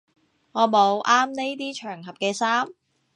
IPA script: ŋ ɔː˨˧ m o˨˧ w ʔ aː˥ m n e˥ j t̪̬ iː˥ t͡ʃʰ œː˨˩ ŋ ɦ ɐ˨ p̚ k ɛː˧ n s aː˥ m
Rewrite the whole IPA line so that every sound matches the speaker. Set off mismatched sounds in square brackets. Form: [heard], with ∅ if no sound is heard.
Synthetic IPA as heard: ŋ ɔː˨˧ m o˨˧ w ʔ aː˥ m n e˥ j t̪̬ iː˥ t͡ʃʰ œː˨˩ ŋ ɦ ɐ˨ p̚ k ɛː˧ [∅] s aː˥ m